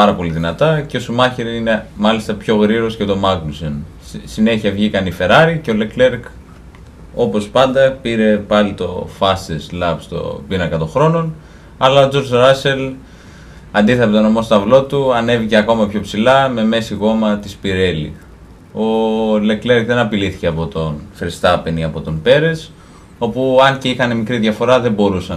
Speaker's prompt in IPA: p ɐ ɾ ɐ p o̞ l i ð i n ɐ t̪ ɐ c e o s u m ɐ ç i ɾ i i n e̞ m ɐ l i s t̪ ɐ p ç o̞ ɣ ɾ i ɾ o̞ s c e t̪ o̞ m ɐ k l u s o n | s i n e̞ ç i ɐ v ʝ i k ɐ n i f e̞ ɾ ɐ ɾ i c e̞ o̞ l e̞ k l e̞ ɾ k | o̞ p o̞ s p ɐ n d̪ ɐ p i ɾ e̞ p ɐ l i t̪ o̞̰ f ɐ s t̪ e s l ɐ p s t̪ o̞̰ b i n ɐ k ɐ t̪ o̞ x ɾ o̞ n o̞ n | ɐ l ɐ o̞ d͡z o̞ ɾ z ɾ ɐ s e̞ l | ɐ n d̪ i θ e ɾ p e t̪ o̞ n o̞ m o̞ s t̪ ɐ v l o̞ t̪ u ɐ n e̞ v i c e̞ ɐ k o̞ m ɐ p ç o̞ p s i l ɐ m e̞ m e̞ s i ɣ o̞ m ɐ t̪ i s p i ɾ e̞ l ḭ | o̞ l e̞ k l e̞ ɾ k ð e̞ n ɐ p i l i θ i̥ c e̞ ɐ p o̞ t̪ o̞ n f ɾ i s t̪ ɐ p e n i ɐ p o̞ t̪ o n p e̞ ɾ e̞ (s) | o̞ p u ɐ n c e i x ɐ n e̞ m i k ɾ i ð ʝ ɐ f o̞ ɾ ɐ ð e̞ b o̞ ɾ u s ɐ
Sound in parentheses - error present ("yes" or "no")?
no